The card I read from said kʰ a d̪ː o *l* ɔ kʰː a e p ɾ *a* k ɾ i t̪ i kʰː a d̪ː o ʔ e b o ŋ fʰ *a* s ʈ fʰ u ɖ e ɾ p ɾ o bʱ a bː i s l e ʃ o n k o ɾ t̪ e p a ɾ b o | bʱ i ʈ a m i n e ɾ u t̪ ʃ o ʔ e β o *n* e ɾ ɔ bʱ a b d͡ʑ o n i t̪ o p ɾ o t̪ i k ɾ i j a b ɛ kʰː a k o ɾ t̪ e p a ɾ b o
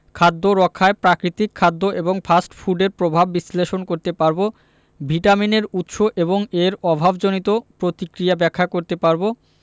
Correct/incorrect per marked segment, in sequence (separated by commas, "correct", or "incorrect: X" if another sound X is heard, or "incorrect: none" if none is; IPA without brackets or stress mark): incorrect: ɾ, correct, correct, incorrect: ŋ